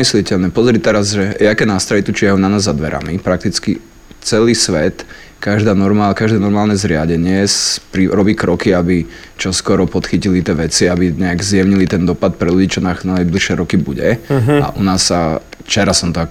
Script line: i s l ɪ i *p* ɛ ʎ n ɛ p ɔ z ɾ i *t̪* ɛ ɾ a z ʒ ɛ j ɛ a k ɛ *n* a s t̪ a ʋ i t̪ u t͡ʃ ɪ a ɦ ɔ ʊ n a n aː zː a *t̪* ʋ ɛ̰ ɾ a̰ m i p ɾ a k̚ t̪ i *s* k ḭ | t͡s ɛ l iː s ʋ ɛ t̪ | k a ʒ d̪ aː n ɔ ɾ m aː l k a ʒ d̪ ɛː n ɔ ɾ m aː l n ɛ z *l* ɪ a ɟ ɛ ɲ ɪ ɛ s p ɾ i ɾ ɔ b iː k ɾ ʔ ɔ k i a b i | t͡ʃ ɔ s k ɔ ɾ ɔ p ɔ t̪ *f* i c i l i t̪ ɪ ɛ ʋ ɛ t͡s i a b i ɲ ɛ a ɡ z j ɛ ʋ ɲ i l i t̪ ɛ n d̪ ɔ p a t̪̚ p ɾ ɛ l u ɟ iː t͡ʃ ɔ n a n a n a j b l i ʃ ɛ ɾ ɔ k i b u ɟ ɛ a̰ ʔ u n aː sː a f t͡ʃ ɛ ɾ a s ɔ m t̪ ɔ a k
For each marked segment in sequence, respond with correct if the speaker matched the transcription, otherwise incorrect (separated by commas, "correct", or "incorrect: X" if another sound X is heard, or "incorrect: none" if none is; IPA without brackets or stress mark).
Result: incorrect: c, correct, correct, incorrect: d̪, incorrect: t͡s, incorrect: ɾ, incorrect: x